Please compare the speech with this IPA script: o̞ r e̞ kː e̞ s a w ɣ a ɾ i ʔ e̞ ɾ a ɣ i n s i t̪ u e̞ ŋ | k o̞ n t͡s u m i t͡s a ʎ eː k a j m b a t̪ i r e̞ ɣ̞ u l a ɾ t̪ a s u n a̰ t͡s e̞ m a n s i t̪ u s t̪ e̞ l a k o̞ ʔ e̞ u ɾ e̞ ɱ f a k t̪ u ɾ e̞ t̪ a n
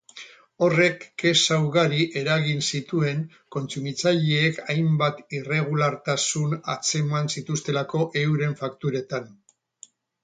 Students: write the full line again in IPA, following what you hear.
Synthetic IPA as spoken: o̞ r e̞ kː e̞ s a w ɣ a ɾ i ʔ e̞ ɾ a ɣ i n s i t̪ u e̞ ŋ | k o̞ n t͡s u m i t͡s a ʎ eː k a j m b a t̪ i r e̞ ɣ̞ u l a ɾ t̪ a s u n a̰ t͡s e̞ m a n s i t̪ u s t̪ e̞ l a k o̞ ʔ e̞ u ɾ e̞ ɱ f a k t̪ u ɾ e̞ t̪ a n